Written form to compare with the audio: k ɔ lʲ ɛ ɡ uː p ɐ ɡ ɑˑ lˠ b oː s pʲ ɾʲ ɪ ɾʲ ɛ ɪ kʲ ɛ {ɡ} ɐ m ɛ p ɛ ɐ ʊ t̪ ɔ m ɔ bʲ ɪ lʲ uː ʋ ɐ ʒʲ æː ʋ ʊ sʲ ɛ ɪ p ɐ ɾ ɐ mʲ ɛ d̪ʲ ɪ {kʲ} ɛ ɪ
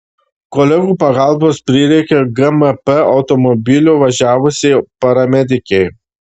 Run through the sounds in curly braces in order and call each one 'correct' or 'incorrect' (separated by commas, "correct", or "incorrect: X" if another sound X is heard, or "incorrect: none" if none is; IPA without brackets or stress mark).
correct, correct